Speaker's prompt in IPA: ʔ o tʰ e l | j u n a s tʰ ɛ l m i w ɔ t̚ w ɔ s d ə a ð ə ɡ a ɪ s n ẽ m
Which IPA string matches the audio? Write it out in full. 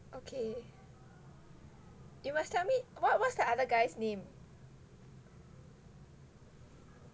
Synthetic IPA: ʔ o kʰ e | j u m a s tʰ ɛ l m i w ɔ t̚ w ɔ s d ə a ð ə ɡ a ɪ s n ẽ m